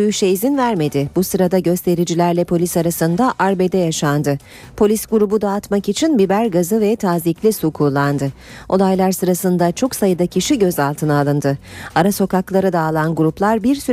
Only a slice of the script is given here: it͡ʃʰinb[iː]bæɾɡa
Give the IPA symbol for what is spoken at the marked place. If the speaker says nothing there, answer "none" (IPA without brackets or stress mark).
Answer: i